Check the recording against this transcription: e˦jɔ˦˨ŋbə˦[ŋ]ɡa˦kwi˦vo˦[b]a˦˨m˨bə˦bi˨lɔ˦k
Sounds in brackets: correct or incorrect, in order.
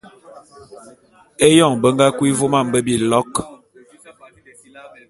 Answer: correct, incorrect

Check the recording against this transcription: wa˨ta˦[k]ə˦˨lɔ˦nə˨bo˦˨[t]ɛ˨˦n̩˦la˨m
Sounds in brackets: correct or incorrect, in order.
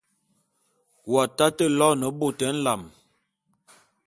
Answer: incorrect, correct

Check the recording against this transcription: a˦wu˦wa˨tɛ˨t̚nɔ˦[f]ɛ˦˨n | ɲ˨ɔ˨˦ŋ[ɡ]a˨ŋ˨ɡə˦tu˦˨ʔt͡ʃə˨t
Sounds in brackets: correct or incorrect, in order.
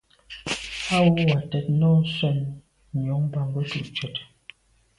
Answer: incorrect, incorrect

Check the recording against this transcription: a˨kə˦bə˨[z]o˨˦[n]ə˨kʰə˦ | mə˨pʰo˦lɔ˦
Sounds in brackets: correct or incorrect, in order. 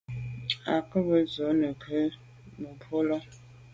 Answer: correct, correct

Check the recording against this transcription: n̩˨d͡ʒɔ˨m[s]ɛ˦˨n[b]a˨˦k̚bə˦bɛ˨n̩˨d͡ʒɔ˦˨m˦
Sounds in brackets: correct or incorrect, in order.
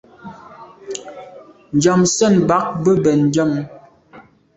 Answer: correct, correct

